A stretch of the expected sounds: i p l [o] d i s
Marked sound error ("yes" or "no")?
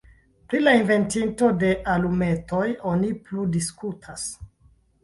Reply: yes